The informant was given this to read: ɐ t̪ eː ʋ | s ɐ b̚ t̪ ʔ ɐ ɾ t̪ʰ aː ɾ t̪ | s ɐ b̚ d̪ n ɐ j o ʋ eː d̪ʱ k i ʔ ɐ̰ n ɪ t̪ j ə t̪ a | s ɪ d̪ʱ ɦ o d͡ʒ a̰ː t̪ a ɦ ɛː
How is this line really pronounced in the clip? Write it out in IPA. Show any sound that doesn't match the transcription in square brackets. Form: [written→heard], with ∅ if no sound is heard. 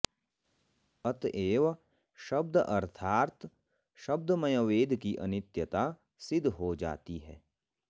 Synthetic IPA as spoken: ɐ t̪ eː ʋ | [s→ʃ] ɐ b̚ [t̪→d̪] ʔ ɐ ɾ t̪ʰ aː ɾ t̪ | [s→ʃ] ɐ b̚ d̪ [n→m] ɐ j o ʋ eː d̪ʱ k i ʔ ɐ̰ n ɪ t̪ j ə t̪ a | s ɪ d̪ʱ ɦ o d͡ʒ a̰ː t̪ [a→i] ɦ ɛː

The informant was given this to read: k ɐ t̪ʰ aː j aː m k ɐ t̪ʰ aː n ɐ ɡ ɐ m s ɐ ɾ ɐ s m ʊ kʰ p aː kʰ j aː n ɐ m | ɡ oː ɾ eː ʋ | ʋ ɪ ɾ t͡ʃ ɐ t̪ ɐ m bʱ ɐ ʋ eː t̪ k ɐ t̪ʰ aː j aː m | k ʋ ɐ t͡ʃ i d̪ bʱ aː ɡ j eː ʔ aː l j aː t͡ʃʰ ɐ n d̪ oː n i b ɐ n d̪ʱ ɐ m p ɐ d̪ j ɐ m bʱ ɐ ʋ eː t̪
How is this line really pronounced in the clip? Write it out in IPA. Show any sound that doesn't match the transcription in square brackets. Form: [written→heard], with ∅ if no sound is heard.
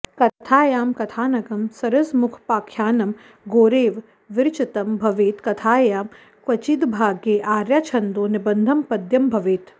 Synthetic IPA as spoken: k ɐ t̪ʰ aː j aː m k ɐ t̪ʰ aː n ɐ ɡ ɐ m s ɐ ɾ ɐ s m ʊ kʰ p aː kʰ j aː n ɐ m | ɡ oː ɾ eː ʋ | ʋ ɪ ɾ t͡ʃ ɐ t̪ ɐ m bʱ ɐ ʋ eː t̪ k ɐ t̪ʰ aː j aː m | k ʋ ɐ t͡ʃ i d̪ bʱ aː ɡ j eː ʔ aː [l→ɾ] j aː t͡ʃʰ ɐ n d̪ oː n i b ɐ n d̪ʱ ɐ m p ɐ d̪ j ɐ m bʱ ɐ ʋ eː t̪

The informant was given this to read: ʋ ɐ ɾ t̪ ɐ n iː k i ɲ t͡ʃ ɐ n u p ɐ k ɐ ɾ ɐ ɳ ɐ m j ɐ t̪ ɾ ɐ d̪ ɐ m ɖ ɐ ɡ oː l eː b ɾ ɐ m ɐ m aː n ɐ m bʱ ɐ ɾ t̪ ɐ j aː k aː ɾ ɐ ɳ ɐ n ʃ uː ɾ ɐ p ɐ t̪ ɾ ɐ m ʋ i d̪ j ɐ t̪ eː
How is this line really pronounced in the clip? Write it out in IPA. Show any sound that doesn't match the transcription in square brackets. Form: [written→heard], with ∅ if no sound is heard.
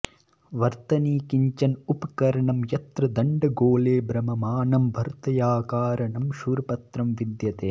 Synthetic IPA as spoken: ʋ ɐ ɾ t̪ ɐ n iː k i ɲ t͡ʃ ɐ n u p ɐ k ɐ ɾ ɐ ɳ ɐ m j ɐ t̪ ɾ ɐ d̪ ɐ [m→ɳ] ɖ ɐ ɡ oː l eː b ɾ ɐ m ɐ m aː n ɐ m bʱ ɐ ɾ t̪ ɐ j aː k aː ɾ ɐ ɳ ɐ [n→m] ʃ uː ɾ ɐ p ɐ t̪ ɾ ɐ m ʋ i d̪ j ɐ t̪ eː

